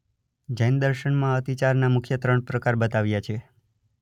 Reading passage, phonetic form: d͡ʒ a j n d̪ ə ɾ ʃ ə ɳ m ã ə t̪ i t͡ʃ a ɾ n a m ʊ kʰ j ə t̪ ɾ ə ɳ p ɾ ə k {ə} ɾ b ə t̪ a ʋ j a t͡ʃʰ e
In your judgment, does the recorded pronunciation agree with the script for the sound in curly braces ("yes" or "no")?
no